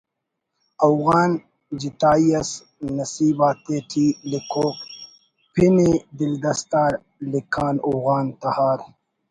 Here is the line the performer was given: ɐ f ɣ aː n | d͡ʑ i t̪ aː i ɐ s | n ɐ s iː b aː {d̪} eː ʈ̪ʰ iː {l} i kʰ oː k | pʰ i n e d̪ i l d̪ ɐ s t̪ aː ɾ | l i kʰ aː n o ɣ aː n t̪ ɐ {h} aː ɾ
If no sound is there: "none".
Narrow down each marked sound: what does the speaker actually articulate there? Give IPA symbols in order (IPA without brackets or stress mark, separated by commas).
t̪, l, h